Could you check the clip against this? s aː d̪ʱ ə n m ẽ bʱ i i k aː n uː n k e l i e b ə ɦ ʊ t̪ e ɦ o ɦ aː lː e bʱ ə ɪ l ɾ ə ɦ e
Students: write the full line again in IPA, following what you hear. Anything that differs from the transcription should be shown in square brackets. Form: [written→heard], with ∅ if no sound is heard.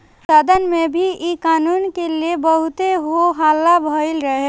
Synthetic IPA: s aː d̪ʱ ə n m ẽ bʱ i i k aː n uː n k e l i e b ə ɦ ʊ t̪ e ɦ o ɦ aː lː [e→a] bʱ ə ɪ l ɾ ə ɦ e